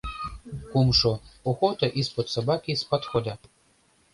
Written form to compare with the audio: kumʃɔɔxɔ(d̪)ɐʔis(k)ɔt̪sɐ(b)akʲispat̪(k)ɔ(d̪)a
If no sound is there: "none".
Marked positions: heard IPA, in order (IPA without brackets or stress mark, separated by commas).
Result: t̪, p, b, x, d̪